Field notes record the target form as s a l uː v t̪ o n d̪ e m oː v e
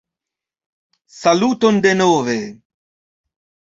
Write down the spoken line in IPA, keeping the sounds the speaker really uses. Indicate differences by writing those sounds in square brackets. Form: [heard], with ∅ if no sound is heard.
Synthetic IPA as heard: s a l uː [∅] t̪ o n d̪ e [n] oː v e